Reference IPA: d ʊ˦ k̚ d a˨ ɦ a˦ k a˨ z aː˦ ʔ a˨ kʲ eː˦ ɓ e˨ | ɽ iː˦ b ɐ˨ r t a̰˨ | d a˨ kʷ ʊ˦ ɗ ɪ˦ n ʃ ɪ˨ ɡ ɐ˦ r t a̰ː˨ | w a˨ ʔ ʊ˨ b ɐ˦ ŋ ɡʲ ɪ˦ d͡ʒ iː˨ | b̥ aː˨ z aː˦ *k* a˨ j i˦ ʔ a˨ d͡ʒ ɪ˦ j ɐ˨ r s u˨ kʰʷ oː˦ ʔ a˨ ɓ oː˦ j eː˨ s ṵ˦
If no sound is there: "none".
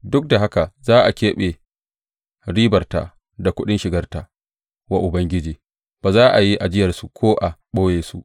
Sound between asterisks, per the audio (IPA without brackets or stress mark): ʔ